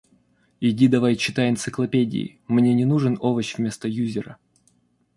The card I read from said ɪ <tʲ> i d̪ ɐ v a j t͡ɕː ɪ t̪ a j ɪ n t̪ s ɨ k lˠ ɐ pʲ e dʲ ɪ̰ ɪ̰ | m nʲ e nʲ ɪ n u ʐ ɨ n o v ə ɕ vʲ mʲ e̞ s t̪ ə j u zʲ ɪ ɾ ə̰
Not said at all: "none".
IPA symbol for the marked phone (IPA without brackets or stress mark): dʲ